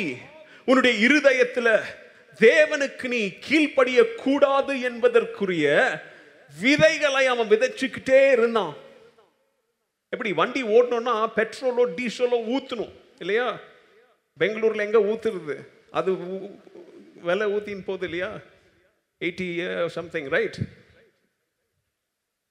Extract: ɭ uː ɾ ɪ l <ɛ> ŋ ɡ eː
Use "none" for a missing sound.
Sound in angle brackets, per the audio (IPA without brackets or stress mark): ɛ